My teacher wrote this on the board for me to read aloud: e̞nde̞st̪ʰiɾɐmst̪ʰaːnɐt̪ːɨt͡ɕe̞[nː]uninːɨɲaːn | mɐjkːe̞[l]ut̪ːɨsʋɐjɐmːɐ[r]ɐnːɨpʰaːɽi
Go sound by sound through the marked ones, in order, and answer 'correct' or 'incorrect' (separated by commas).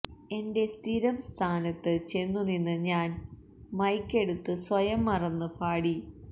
correct, incorrect, correct